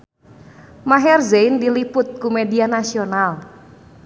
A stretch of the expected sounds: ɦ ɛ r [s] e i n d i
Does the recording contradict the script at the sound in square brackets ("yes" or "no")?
yes